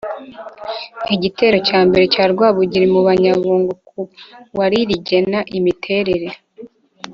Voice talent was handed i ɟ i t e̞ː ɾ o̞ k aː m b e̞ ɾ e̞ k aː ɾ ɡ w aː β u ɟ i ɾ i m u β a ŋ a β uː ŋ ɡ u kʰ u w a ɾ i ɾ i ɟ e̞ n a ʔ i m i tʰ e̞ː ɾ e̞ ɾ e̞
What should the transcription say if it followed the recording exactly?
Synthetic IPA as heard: i ɟ i t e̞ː ɾ o̞ c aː m b e̞ ɾ e̞ c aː ɾ ɡ w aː β u ɟ i ɾ i m u β a ɲ a β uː ŋ ɡ u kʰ u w a ɾ i ɾ i ɟ e̞ n a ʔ i m i tʰ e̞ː ɾ e̞ ɾ e̞